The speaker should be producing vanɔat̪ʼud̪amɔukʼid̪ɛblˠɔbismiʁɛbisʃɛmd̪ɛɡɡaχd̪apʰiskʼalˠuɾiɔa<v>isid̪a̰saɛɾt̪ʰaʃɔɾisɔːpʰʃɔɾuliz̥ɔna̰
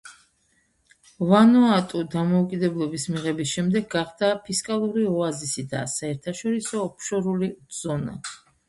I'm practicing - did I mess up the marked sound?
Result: yes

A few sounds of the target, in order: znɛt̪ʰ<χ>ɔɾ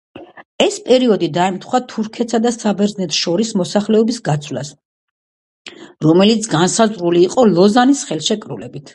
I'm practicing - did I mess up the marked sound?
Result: yes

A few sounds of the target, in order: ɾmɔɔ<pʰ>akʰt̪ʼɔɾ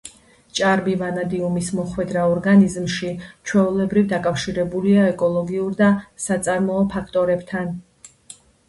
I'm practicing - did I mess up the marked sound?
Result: no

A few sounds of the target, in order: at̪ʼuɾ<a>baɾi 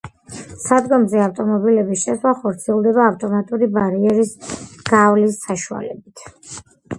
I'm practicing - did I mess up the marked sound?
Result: yes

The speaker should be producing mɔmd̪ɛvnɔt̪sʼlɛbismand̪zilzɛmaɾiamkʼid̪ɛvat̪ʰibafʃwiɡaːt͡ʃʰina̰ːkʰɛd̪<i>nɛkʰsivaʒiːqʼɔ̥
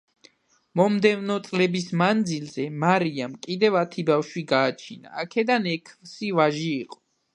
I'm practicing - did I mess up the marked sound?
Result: yes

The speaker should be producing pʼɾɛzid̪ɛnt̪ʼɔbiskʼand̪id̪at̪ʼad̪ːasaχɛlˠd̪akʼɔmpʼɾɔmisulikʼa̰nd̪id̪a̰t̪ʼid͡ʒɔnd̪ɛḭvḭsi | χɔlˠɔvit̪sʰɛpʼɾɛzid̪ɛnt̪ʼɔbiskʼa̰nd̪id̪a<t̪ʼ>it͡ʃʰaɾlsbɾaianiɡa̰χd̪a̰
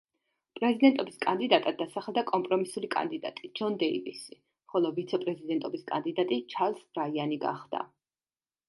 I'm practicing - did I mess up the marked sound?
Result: no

